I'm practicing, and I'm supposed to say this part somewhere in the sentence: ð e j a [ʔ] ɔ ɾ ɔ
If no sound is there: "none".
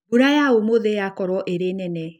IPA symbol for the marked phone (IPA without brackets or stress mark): k